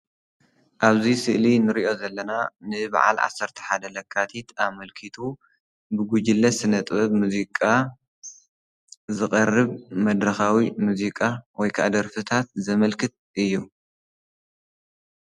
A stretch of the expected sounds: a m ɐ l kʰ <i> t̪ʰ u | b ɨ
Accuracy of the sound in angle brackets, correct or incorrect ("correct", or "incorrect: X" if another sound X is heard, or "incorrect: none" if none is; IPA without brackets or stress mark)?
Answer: correct